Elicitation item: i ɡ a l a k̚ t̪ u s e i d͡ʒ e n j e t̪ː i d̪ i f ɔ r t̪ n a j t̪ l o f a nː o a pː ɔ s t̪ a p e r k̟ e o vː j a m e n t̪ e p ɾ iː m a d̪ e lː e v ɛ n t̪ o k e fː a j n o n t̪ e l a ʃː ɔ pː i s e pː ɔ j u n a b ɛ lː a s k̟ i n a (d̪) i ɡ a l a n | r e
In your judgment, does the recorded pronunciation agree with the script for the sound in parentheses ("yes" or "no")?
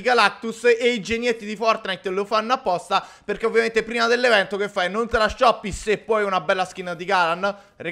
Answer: yes